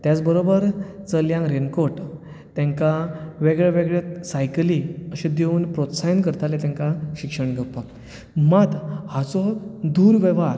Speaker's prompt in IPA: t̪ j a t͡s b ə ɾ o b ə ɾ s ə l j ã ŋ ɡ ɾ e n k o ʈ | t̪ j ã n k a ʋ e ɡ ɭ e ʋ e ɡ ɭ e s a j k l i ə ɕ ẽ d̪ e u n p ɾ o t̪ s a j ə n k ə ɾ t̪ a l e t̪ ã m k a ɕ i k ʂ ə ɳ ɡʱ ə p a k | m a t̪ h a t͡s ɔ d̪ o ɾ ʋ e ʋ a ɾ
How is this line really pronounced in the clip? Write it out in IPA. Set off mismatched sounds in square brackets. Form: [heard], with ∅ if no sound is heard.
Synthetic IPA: t̪ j a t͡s b ə ɾ o b ə ɾ [t͡s] ə l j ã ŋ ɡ ɾ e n k o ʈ | t̪ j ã [ŋ] k a ʋ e ɡ ɭ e ʋ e ɡ ɭ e s a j k l i ə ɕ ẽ d̪ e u n p ɾ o t̪ s a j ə n k ə ɾ t̪ a l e t̪ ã [ŋ] k a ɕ i k ʂ ə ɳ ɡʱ ə p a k | m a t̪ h a t͡s ɔ d̪ [u] ɾ ʋ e ʋ a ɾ